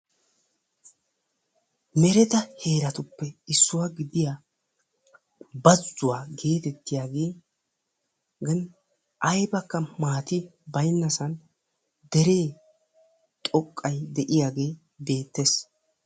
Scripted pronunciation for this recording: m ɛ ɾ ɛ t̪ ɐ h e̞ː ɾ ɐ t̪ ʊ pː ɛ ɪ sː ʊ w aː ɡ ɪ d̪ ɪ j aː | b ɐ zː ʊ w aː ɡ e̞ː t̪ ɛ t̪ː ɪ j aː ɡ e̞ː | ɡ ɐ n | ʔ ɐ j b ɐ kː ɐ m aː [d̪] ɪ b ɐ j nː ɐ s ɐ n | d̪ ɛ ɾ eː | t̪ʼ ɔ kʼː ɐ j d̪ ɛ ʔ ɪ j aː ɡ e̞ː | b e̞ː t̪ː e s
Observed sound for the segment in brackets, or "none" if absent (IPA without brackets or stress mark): t̪